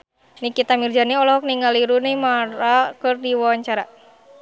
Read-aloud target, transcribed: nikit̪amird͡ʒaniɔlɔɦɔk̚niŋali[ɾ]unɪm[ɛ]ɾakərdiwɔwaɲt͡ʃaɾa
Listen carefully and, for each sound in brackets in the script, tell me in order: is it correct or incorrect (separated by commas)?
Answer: correct, incorrect